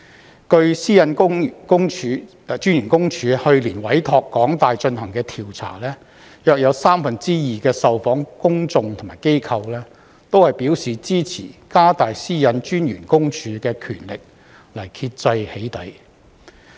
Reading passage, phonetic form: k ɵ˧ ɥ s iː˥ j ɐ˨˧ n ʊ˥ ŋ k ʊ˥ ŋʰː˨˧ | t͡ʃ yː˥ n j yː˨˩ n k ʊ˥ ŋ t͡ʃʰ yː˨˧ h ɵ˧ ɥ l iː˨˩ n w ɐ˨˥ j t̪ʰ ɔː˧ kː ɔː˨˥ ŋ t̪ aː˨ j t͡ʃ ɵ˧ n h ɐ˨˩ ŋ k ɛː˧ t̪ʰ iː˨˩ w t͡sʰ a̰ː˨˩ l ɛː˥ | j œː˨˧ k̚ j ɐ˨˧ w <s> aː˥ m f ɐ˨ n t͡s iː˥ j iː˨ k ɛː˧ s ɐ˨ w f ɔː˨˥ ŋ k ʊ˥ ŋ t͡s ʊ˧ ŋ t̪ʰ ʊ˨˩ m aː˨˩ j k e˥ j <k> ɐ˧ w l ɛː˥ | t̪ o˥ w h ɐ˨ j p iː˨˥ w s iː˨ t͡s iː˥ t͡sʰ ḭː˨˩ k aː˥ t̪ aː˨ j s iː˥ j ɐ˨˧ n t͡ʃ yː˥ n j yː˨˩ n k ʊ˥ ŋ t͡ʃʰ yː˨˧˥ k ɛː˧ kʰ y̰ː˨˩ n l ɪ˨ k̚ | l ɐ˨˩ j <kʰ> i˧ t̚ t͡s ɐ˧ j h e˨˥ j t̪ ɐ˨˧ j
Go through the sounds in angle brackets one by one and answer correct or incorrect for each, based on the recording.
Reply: correct, incorrect, correct

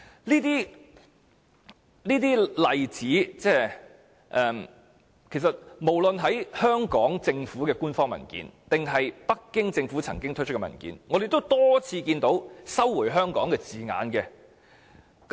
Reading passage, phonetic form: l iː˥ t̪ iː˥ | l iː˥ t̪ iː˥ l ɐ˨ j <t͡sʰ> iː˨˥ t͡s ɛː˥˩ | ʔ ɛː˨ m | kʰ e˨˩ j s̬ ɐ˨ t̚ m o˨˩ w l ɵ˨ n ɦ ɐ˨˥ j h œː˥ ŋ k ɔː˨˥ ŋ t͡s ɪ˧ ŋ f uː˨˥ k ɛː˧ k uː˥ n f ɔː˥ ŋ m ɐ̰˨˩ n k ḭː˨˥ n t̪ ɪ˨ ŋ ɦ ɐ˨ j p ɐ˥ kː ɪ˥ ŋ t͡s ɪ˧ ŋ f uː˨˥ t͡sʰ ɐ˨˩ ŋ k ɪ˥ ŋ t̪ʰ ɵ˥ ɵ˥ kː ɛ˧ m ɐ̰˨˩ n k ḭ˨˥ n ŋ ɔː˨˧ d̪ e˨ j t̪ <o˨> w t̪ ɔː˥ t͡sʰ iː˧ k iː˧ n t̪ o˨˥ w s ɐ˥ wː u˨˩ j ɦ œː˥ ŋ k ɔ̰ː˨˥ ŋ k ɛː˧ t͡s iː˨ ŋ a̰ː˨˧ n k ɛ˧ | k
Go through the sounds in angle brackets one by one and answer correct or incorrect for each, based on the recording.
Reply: incorrect, incorrect

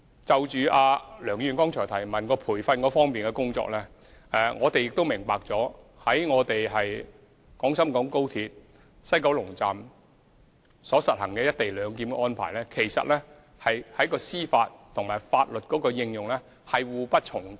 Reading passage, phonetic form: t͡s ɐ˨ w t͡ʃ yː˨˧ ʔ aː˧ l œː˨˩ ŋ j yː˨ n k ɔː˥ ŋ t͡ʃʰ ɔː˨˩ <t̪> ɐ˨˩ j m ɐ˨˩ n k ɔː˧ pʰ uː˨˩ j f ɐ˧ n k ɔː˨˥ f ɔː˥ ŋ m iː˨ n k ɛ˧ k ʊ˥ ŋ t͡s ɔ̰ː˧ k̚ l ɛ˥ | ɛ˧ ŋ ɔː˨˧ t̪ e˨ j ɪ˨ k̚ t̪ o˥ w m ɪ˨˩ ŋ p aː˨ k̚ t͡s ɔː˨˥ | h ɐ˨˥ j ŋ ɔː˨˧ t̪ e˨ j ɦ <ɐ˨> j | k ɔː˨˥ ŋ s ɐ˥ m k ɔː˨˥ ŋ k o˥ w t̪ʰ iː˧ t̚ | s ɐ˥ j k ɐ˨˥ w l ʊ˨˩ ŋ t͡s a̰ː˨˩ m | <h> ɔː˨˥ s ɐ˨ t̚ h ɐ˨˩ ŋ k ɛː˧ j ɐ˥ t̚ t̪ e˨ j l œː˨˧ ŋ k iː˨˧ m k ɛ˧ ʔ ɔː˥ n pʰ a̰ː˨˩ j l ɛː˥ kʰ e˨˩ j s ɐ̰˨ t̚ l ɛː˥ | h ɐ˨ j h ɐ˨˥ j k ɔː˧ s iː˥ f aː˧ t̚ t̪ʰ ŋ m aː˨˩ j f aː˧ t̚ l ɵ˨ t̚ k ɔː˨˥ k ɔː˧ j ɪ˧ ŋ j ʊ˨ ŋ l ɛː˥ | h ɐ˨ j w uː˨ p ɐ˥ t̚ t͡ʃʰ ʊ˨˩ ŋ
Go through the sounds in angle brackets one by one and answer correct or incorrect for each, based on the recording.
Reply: incorrect, correct, incorrect

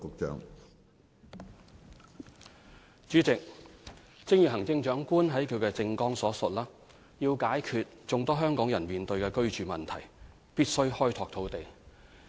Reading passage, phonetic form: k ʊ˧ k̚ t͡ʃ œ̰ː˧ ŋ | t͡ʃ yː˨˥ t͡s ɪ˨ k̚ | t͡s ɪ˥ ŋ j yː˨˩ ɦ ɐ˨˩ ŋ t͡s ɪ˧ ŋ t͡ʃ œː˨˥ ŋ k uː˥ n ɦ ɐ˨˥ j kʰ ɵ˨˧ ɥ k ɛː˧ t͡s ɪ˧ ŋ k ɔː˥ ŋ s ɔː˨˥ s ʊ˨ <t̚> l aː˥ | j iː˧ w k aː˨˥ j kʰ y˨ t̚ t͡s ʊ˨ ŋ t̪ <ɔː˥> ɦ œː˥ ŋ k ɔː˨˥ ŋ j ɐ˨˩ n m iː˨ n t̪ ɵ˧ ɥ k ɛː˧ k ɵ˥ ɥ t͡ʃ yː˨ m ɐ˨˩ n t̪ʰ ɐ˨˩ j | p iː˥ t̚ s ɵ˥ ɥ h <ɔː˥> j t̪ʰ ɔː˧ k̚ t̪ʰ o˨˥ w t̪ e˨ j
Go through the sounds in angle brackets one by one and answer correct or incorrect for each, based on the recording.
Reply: correct, correct, correct

